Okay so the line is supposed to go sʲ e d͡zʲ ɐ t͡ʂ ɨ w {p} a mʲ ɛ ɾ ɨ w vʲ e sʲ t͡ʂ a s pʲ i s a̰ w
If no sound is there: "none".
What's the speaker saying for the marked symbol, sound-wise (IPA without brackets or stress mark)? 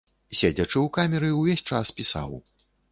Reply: k